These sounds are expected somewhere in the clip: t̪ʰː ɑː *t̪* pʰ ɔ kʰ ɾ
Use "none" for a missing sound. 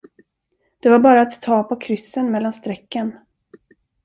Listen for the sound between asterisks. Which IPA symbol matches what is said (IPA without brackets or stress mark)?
none